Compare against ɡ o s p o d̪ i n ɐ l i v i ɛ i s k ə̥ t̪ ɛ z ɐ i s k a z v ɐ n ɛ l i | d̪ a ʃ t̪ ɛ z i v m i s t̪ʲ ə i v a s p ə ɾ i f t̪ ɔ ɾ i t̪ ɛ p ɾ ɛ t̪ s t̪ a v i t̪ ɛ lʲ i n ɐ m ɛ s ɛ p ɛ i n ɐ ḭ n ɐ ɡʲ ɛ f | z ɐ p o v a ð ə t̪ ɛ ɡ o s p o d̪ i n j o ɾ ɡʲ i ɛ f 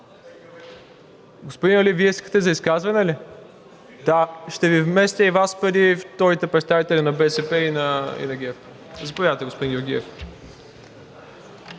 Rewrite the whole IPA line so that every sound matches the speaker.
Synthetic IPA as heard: ɡ o s p o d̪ i n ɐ l i v i ɛ i s k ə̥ t̪ ɛ z ɐ i s k a z v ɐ n ɛ l i | d̪ a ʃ t̪ ɛ v i v m ɛ s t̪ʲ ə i v a s p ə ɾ i f t̪ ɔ ɾ i t̪ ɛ p ɾ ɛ t̪ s t̪ a v i t̪ ɛ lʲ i n ɐ b ɛ s ɛ p ɛ i n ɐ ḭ n ɐ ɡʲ ɛ f | z ɐ p o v a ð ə t̪ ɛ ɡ o s p o d̪ i n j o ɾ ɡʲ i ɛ f